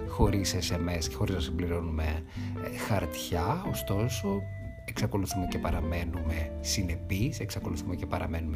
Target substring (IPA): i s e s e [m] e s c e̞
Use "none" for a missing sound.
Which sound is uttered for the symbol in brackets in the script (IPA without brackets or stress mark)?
m